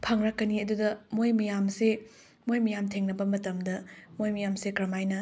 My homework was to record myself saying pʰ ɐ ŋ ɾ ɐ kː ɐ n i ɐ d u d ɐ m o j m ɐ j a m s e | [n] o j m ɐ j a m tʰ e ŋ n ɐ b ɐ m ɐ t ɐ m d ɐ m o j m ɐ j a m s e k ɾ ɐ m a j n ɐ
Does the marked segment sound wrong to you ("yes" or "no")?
yes